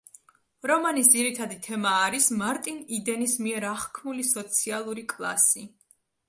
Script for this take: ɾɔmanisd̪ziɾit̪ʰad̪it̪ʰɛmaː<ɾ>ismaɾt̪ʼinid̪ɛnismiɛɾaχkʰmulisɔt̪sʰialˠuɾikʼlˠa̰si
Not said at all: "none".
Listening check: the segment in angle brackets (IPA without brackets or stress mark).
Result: ɾ